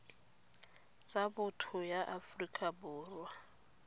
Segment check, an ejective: present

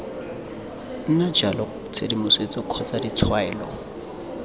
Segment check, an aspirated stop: present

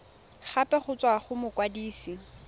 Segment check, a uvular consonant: present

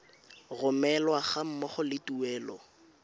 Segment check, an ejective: absent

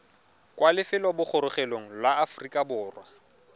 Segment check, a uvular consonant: present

